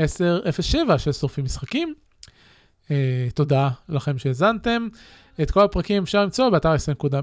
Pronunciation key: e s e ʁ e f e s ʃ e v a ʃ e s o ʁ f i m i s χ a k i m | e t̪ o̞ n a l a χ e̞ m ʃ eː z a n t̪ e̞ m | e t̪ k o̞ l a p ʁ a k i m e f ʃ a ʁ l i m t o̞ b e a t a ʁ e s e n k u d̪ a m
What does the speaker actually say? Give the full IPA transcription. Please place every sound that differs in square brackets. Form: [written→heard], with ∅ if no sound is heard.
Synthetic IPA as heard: e s e ʁ e f e s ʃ e v a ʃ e s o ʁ f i m i s χ a k i m | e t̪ o̞ [n→d] a l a χ e̞ m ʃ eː z a n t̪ e̞ m | e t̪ k o̞ l a p ʁ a k i m e f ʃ a ʁ l i m [t→t͡s] o̞ b e a t a ʁ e s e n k u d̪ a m